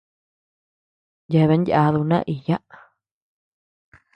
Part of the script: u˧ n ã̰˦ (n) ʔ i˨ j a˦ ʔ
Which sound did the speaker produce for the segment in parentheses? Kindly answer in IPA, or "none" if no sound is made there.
none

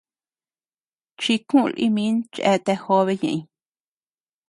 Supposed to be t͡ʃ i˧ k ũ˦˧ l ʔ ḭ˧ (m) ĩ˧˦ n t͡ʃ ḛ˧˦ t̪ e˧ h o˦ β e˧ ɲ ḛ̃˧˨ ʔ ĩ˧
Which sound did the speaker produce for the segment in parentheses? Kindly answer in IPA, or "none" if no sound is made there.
m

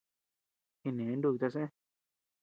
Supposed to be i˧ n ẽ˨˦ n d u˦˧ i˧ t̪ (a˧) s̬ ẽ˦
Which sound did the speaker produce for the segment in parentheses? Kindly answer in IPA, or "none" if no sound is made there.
a˧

